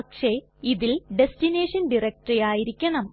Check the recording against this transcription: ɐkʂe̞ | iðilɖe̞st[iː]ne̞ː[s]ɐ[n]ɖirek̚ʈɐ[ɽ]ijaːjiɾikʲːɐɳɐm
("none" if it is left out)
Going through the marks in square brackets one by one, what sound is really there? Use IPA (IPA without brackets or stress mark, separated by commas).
i, ʂ, n, r